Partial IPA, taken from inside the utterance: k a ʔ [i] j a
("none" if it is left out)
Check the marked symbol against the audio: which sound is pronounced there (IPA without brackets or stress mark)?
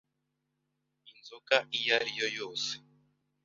i